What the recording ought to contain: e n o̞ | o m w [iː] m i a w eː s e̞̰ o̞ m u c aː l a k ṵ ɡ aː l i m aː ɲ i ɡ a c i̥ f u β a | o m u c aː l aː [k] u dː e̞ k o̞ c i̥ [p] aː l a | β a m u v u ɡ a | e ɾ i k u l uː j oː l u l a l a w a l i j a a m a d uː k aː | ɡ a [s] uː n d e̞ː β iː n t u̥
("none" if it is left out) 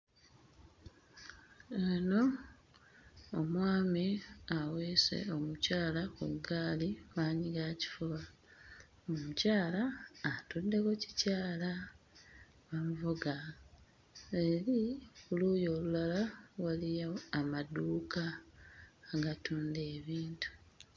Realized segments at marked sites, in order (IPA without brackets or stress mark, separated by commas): aː, t, c, t